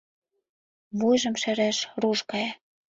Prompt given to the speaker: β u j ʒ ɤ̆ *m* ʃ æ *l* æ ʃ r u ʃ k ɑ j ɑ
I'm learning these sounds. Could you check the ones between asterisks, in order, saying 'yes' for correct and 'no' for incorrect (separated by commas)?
yes, no